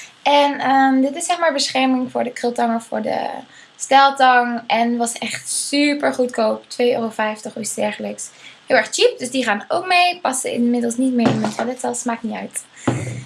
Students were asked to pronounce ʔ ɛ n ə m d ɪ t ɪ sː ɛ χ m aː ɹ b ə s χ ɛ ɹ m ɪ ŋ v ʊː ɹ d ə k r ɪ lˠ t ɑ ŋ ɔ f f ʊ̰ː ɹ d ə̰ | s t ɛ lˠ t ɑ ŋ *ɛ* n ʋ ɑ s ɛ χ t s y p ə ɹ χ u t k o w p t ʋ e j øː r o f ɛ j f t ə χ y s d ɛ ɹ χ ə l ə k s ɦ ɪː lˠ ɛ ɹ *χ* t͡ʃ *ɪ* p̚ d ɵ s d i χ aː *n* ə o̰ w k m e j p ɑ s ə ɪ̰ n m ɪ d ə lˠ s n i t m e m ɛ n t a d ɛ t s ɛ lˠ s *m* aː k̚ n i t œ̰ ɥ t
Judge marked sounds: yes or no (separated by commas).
yes, yes, no, yes, yes